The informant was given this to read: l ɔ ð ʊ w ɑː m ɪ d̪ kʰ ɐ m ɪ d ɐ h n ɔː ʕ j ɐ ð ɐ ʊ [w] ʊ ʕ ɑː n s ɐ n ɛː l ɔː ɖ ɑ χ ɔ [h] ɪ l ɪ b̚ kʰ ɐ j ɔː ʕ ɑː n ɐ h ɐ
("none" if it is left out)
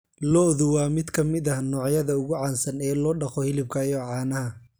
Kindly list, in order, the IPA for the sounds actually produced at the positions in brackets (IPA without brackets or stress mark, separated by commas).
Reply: ɣ, h